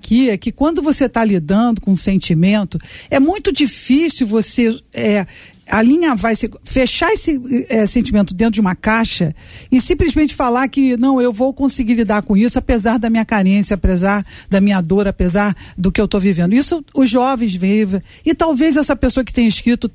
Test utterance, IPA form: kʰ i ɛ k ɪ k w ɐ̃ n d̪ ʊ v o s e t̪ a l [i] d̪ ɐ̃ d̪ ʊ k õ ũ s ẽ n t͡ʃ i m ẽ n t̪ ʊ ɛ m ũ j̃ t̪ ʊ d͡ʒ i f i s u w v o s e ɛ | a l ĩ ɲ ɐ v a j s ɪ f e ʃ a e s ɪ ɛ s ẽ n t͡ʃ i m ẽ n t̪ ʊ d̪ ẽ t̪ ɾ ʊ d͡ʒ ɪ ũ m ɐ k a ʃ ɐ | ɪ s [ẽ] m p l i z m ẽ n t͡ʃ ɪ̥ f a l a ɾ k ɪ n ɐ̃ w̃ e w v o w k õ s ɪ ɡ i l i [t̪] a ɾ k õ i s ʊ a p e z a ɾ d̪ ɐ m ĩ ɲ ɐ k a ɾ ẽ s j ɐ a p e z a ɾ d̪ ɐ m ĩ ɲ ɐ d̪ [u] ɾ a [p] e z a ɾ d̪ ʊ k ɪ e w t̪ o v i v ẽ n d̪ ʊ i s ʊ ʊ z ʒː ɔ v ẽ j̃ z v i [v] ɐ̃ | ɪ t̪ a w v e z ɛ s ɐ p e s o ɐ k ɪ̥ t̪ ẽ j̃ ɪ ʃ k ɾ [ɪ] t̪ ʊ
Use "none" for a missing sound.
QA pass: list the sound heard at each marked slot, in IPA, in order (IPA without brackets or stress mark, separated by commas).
i, ĩ, d̪, o, p, v, i